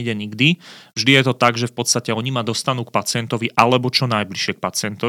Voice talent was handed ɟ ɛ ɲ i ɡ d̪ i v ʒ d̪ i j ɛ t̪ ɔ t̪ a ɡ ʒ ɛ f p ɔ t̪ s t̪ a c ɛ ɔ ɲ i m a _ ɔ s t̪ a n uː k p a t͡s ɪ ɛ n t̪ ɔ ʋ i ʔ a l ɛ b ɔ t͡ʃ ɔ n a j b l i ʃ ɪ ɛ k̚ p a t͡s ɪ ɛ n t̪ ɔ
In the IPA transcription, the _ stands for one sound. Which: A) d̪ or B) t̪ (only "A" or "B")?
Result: A